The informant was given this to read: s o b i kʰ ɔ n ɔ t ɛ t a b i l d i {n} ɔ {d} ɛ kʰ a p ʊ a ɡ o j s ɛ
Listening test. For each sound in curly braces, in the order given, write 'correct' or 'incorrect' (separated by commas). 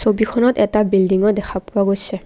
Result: incorrect, correct